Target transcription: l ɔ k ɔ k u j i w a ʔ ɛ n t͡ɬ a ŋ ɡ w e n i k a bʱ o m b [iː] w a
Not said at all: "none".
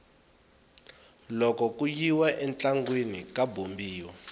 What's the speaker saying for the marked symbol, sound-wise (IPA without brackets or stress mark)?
iː